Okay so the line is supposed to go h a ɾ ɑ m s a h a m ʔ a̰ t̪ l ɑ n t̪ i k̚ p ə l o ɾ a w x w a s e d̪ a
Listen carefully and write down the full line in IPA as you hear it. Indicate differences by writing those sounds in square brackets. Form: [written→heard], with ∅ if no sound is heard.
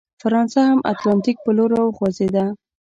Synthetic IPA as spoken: [h→f] a ɾ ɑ [m→n] s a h a m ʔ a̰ t̪ l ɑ n t̪ i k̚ p ə l o ɾ a w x w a [s→z] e d̪ a